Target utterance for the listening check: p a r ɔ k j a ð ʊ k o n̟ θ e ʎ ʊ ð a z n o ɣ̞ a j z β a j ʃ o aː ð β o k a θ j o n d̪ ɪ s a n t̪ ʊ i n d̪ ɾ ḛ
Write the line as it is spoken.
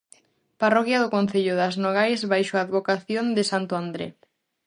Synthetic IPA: p a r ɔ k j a ð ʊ k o n̟ θ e ʎ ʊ ð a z n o ɣ̞ a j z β a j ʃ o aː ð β o k a θ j o n d̪ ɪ s a n t̪ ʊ a n d̪ ɾ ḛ